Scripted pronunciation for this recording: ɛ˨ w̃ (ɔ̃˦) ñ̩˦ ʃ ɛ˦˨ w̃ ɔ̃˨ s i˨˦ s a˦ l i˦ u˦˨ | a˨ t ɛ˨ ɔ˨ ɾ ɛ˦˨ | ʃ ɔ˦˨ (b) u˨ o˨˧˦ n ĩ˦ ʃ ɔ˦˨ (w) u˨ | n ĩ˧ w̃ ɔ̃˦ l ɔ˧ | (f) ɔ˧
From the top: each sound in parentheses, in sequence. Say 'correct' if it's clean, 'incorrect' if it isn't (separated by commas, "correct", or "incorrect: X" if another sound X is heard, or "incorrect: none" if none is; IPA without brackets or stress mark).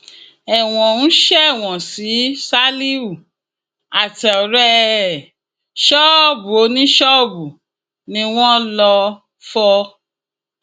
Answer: incorrect: ɔ̃˨, correct, incorrect: b, correct